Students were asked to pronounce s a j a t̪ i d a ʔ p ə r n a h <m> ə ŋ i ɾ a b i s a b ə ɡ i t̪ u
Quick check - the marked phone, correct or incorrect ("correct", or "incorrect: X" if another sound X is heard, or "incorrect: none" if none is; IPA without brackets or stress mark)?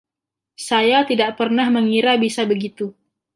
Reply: correct